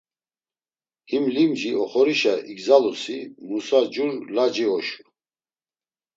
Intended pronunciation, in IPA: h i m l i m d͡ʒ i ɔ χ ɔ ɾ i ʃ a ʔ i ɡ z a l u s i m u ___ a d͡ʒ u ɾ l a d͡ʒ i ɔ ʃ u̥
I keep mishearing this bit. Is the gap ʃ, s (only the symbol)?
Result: s